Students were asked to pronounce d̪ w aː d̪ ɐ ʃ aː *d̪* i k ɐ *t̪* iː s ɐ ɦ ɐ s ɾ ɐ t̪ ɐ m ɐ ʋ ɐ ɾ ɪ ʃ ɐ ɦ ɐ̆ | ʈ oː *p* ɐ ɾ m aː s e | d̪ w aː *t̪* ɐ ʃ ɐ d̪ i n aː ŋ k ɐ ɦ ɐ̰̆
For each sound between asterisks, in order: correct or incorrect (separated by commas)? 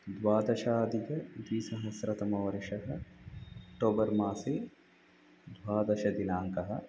correct, incorrect, incorrect, incorrect